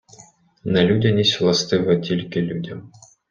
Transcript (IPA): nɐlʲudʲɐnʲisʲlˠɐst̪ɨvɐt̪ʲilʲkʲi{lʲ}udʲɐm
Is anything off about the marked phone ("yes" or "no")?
no